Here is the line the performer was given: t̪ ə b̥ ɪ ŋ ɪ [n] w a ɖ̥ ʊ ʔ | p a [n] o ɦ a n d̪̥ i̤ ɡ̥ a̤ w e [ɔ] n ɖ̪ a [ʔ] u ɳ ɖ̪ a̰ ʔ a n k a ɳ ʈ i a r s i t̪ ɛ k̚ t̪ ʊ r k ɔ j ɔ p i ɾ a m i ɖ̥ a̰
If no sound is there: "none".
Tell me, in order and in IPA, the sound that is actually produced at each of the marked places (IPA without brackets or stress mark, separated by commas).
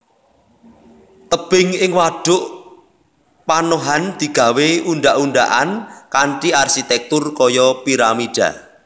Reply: ŋ, n, u, ʔ